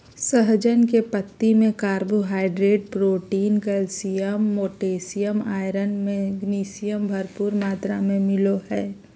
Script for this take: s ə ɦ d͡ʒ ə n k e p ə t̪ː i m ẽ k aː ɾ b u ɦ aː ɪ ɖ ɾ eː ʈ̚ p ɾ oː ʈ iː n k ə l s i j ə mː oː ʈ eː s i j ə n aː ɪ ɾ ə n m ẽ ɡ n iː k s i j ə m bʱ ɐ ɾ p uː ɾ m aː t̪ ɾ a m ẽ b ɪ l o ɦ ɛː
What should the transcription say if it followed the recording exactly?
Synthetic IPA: s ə ɦ d͡ʒ ə n k e p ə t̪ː i m ẽ k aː ɾ b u ɦ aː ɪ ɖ ɾ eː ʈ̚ p ɾ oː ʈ iː n k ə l s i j ə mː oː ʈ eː s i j ə m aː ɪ ɾ ə n m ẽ ɡ n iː s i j ə m bʱ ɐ ɾ p uː ɾ m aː t̪ ɾ a m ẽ m ɪ l o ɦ ɛː